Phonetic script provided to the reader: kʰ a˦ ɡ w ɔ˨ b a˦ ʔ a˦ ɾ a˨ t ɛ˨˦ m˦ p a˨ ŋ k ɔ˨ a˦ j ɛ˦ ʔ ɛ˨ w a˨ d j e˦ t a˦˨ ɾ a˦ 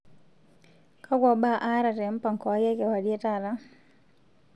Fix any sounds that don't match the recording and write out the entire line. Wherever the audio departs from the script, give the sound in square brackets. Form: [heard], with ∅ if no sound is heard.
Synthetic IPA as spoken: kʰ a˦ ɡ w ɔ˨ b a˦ ʔ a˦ ɾ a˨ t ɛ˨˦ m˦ p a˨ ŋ k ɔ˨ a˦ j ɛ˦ [k] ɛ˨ w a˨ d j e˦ t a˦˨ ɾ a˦